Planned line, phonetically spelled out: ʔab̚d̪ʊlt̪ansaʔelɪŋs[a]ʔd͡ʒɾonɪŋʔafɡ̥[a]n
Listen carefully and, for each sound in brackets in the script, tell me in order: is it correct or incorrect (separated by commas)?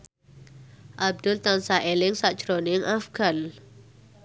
correct, correct